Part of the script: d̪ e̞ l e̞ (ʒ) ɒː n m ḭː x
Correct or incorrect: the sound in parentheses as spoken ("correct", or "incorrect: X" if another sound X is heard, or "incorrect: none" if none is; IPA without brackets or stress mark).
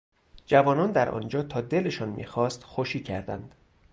incorrect: ʃ